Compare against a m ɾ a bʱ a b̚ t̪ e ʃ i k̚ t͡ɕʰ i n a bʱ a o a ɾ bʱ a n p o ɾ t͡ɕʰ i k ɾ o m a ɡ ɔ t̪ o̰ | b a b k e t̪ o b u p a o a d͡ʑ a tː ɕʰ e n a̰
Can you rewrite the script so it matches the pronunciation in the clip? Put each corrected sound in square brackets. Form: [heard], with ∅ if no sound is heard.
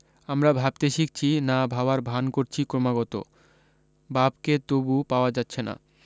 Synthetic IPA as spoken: a m ɾ a bʱ a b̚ t̪ e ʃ i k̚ t͡ɕʰ i n a bʱ a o a ɾ bʱ a n [k] o ɾ t͡ɕʰ i k ɾ o m a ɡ ɔ t̪ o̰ | b a b k e t̪ o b u p a o a d͡ʑ a tː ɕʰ e n a̰